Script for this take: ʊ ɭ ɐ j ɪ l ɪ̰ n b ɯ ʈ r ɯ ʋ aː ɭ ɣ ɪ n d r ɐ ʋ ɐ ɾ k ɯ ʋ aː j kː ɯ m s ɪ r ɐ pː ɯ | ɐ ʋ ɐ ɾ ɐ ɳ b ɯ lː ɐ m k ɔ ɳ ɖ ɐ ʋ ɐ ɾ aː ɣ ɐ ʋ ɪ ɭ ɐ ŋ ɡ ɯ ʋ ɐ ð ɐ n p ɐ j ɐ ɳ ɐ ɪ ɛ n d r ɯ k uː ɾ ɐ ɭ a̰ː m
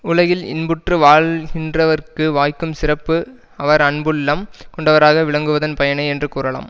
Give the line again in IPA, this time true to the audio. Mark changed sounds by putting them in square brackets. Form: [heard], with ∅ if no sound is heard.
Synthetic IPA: ʊ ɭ ɐ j ɪ l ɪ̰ n b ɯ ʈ r ɯ ʋ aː ɭ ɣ ɪ n d r ɐ ʋ ɐ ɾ k ɯ ʋ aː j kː ɯ m s ɪ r ɐ pː ɯ | ɐ ʋ ɐ ɾ ɐ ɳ b ɯ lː ɐ m k ɔ ɳ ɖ ɐ ʋ ɐ ɾ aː ɣ ɐ ʋ ɪ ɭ ɐ ŋ ɡ ɯ ʋ ɐ ð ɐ n p ɐ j ɐ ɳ ɐ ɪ ɛ n d r ɯ k uː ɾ ɐ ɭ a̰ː m

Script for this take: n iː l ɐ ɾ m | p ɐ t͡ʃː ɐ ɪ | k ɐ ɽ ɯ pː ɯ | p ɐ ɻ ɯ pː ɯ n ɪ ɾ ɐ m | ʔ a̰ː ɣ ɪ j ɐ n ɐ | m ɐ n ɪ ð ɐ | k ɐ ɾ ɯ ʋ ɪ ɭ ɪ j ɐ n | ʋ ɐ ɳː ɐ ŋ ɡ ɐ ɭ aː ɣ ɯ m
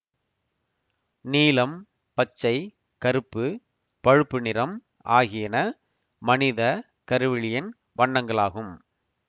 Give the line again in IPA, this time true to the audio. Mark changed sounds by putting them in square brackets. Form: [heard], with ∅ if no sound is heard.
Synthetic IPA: n iː l ɐ [∅] m | p ɐ t͡ʃː ɐ ɪ | k ɐ [ɾ] ɯ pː ɯ | p ɐ ɻ ɯ pː ɯ n ɪ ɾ ɐ m | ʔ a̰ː ɣ ɪ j ɐ n ɐ | m ɐ n ɪ ð ɐ | k ɐ ɾ ɯ ʋ ɪ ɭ ɪ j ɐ n | ʋ ɐ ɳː ɐ ŋ ɡ ɐ ɭ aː ɣ ɯ m

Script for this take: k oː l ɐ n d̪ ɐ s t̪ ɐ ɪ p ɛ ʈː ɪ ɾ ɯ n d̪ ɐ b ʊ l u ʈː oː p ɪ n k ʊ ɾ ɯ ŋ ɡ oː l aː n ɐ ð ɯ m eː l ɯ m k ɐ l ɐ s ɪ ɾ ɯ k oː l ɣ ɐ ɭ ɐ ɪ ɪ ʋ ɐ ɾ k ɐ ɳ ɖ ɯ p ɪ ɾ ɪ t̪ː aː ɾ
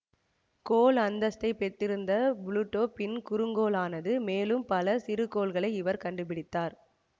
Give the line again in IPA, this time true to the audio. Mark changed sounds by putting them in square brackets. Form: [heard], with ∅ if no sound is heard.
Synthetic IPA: k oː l ɐ n d̪ ɐ s t̪ ɐ ɪ p ɛ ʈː ɪ ɾ ɯ n d̪ ɐ b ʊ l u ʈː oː p ɪ n k ʊ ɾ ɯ ŋ ɡ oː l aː n ɐ ð ɯ m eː l ɯ m [p] ɐ l ɐ s ɪ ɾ ɯ k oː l ɣ ɐ ɭ ɐ ɪ ɪ ʋ ɐ ɾ k ɐ ɳ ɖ ɯ p ɪ [ɽ] ɪ t̪ː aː ɾ

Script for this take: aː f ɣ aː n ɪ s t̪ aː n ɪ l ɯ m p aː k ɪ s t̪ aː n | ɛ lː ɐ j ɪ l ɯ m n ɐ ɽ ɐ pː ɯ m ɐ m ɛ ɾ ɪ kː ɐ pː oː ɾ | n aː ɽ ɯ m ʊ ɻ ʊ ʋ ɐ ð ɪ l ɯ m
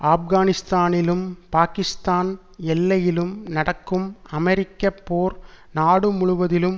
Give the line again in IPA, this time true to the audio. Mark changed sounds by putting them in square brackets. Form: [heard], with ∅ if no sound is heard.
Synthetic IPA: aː f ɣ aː n ɪ s t̪ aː n ɪ l ɯ m p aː k ɪ s t̪ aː n | ɛ lː ɐ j ɪ l ɯ m n ɐ ɽ ɐ [kː] ɯ m ɐ m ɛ ɾ ɪ kː ɐ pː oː ɾ | n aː ɽ ɯ m ʊ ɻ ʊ ʋ ɐ ð ɪ l ɯ m

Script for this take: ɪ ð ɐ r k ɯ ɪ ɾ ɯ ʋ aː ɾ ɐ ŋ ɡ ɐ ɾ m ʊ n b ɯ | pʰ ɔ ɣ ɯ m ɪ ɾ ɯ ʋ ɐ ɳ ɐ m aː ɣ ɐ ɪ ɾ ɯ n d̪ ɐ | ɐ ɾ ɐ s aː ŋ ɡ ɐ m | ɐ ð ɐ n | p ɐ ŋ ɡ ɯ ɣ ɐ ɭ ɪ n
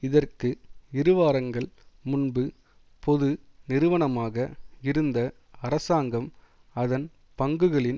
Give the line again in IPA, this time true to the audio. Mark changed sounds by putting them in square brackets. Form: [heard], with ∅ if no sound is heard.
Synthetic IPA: ɪ ð ɐ r k ɯ ɪ ɾ ɯ ʋ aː ɾ ɐ ŋ ɡ ɐ [ɭ] m ʊ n b ɯ | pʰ ɔ [ð] ɯ [n] ɪ ɾ ɯ ʋ ɐ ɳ ɐ m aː ɣ ɐ ɪ ɾ ɯ n d̪ ɐ | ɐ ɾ ɐ s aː ŋ ɡ ɐ m | ɐ ð ɐ n | p ɐ ŋ ɡ ɯ ɣ ɐ ɭ ɪ n

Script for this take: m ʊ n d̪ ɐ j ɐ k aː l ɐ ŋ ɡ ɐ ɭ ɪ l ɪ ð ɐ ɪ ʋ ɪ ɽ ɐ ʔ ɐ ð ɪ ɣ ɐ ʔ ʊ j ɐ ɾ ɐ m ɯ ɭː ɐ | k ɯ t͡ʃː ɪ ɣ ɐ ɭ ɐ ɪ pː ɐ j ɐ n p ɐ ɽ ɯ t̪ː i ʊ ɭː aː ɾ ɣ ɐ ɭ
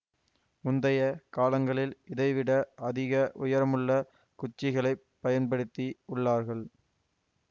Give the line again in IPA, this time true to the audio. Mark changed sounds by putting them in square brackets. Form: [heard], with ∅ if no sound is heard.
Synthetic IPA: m ʊ n d̪ ɐ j ɐ k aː l ɐ ŋ ɡ ɐ ɭ ɪ l ɪ ð ɐ ɪ ʋ ɪ ɽ ɐ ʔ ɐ ð ɪ ɣ ɐ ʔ ʊ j ɐ ɾ ɐ m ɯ ɭː ɐ | k [ʊ] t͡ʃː ɪ ɣ ɐ ɭ ɐ ɪ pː ɐ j ɐ n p ɐ ɽ ɯ t̪ː i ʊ ɭː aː ɾ ɣ ɐ ɭ

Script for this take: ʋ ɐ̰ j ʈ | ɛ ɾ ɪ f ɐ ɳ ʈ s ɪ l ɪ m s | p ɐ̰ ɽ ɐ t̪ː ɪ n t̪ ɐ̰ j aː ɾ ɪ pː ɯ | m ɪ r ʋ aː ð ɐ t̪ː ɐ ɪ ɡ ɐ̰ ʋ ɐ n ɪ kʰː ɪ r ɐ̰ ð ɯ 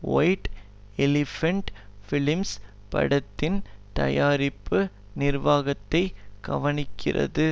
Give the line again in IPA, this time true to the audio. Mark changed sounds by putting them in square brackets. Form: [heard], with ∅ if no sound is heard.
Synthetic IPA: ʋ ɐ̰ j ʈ | ɛ [l] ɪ f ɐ ɳ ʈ [f] ɪ l ɪ m s | p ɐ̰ ɽ ɐ t̪ː ɪ n t̪ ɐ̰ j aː ɾ ɪ pː ɯ | [n] ɪ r ʋ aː [ɣ] ɐ t̪ː ɐ ɪ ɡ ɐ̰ ʋ ɐ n ɪ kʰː ɪ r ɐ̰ ð ɯ

